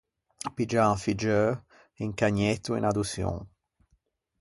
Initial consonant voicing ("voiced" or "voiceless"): voiceless